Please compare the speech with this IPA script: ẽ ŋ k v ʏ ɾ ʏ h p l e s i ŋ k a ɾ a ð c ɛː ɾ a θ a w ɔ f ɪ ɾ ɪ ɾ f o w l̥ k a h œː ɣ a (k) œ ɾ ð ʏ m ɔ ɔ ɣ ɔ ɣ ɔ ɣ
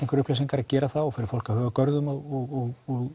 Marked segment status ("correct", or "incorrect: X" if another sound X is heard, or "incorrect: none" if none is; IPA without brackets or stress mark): correct